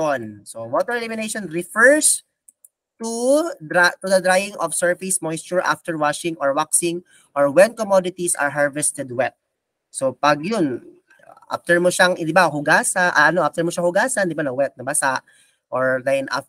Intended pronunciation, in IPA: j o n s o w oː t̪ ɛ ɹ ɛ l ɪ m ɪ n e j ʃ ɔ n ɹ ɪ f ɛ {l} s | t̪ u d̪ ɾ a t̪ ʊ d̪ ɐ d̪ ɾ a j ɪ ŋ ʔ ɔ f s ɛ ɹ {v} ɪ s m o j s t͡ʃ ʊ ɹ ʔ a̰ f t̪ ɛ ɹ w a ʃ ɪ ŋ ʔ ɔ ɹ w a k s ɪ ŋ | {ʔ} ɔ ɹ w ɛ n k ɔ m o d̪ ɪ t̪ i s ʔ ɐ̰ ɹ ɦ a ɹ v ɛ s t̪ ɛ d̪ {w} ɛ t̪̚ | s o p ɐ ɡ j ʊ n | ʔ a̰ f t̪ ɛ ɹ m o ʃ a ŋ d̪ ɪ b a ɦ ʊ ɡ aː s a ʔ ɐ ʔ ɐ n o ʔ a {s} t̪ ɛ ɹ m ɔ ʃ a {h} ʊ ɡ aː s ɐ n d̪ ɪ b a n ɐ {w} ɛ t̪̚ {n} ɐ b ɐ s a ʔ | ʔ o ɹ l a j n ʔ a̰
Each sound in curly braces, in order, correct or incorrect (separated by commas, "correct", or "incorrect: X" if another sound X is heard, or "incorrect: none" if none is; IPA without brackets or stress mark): incorrect: ɹ, incorrect: f, correct, correct, incorrect: f, correct, correct, correct